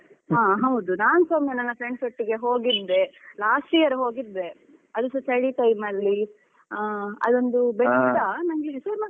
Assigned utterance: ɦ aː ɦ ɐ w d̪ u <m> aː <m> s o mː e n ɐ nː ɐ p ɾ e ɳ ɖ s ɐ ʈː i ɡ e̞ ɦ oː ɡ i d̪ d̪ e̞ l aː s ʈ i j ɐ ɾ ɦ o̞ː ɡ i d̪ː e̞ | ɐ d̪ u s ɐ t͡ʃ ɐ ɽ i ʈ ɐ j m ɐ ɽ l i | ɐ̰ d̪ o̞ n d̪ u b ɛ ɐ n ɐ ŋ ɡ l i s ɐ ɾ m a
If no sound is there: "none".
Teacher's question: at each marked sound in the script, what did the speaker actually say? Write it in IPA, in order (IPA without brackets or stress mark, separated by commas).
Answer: n, n